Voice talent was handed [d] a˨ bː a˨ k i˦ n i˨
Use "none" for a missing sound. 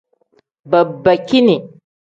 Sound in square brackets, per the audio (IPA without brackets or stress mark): b